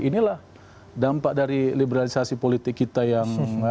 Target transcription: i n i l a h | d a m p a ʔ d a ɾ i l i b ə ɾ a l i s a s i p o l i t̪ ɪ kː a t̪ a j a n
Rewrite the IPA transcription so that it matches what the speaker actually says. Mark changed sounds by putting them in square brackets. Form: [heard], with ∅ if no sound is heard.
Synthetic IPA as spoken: i n i l a h | d a m p a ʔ d a ɾ i l i b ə ɾ a l i s a s i p o l i t̪ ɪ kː [i] t̪ a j a [ŋ]